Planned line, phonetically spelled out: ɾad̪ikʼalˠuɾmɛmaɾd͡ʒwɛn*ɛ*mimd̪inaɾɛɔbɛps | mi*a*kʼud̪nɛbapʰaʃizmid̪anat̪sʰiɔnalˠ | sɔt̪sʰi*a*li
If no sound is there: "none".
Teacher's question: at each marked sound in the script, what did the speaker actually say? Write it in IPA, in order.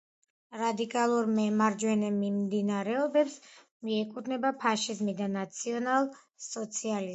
ɛ, ɛ, a

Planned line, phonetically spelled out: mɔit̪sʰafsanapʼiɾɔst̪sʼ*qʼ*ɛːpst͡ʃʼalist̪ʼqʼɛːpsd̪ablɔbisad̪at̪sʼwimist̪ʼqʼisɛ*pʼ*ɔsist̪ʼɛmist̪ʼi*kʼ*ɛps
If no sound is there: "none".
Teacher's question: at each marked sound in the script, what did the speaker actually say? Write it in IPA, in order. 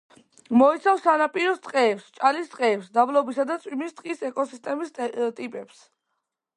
qʼ, kʼ, pʼ

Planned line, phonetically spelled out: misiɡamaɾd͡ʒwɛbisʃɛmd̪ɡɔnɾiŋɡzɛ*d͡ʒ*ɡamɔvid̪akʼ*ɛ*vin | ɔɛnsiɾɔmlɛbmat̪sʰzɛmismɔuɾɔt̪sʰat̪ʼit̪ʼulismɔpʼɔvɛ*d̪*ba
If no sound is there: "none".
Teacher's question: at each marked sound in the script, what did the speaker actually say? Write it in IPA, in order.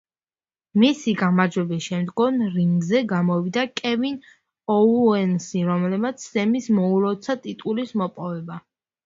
none, ɛ, none

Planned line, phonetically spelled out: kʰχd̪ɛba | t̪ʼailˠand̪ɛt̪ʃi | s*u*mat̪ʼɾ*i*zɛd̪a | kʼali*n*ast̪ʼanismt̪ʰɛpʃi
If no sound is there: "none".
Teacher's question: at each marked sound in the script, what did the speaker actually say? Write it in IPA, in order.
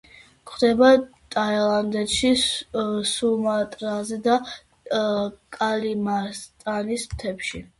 u, a, m

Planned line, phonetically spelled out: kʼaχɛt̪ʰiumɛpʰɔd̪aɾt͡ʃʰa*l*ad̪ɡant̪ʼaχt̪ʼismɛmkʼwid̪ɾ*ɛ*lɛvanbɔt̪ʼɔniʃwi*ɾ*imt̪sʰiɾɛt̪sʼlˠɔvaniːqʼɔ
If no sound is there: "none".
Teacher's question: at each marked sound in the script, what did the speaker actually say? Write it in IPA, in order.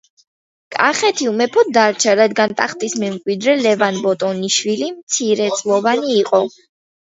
ɾ, ɛ, l

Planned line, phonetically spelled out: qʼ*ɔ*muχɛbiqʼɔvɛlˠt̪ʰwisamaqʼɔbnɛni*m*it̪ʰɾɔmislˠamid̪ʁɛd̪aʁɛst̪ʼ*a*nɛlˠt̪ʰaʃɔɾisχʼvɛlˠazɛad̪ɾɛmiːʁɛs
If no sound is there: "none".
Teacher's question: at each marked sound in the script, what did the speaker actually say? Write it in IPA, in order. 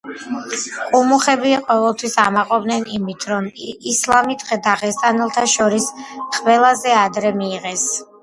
u, m, a

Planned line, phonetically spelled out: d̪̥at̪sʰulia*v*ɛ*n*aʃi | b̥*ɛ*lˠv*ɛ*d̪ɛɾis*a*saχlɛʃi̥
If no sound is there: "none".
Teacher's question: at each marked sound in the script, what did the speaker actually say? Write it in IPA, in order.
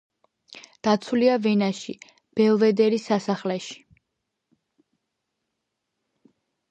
v, n, ɛ, ɛ, a

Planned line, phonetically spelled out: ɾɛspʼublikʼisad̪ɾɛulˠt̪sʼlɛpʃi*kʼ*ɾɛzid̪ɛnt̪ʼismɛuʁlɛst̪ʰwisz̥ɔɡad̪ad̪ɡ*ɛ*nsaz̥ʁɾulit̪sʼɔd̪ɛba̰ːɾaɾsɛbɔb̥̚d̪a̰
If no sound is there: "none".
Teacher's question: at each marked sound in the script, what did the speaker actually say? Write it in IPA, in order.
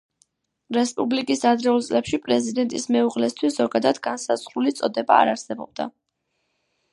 pʼ, a

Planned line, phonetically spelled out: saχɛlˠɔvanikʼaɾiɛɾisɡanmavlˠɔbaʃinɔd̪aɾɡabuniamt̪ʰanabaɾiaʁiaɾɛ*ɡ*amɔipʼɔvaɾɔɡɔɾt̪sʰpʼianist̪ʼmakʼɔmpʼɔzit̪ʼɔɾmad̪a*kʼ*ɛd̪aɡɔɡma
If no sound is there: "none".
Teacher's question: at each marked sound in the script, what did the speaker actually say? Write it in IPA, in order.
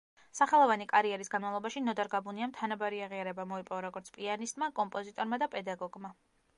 b, pʼ

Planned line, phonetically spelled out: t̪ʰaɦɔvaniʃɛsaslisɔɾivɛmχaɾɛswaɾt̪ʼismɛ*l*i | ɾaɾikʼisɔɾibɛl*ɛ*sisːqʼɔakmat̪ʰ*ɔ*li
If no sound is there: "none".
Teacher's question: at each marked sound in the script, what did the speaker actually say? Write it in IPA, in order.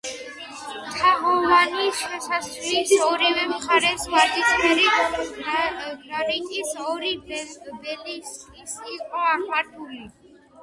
ɾ, i, u

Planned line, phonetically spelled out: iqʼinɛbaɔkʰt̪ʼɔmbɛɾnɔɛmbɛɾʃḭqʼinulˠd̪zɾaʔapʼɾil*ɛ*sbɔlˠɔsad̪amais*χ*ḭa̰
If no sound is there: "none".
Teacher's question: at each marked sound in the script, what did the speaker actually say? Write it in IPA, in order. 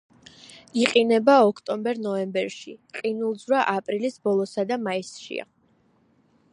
i, ʃ

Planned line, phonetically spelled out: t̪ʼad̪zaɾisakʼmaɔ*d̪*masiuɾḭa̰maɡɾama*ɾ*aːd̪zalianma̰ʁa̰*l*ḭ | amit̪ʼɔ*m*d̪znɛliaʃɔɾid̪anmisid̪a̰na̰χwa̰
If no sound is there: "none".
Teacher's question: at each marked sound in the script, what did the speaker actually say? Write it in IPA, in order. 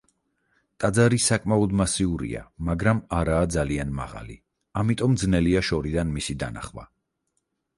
d̪, ɾ, l, m

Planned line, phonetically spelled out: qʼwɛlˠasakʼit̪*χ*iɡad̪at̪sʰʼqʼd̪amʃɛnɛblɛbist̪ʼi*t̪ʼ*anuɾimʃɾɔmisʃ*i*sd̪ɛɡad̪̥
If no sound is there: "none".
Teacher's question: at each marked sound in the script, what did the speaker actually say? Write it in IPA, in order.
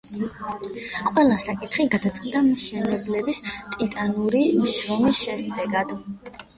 χ, t̪ʼ, ɛ

